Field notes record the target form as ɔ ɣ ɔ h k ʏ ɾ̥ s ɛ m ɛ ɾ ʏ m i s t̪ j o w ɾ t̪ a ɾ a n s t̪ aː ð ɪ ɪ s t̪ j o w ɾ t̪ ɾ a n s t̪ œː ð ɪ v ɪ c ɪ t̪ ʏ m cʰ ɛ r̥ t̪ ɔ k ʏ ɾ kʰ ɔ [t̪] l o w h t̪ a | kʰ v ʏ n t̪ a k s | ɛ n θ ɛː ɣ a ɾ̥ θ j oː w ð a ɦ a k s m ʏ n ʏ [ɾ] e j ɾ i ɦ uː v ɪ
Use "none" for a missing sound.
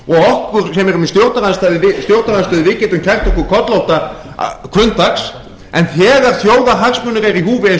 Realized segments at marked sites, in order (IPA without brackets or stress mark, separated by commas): t̪, ɾ